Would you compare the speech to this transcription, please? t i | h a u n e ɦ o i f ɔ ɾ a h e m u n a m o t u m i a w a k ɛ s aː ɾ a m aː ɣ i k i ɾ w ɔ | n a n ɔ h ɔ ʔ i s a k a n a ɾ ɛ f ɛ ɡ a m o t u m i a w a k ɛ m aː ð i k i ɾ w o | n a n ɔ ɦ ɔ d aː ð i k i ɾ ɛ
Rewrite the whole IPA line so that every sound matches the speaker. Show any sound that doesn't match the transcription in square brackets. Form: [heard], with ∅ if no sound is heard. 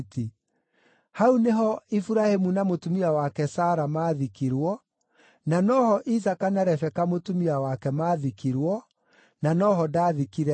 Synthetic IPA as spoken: t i | h a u n e ɦ [ɔ] i f [u] ɾ a h e m u n a m o t u m i a w a k ɛ s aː ɾ a m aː [ð] i k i ɾ w ɔ | n a n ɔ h ɔ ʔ i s a k a n a ɾ ɛ f ɛ [k] a m o t u m i a w a k ɛ m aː ð i k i ɾ w [ɔ] | n a n ɔ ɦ ɔ d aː ð i k i ɾ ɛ